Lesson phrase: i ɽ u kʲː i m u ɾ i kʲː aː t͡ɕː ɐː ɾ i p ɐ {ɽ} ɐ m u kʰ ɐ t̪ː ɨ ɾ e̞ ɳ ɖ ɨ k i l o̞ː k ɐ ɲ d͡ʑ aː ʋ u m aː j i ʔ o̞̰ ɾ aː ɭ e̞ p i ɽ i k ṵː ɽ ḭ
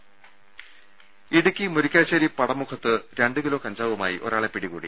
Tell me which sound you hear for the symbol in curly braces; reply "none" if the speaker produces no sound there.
ɽ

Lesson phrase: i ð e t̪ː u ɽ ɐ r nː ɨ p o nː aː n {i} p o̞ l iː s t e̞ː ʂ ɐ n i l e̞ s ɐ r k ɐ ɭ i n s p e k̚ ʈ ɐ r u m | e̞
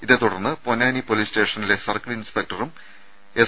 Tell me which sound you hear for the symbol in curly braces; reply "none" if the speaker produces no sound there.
i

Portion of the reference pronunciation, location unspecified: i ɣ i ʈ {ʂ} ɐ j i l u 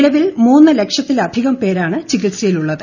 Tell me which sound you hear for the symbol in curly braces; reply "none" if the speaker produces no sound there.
s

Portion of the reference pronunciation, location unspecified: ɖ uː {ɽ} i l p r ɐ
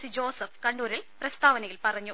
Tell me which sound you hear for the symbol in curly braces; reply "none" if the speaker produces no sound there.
ɾ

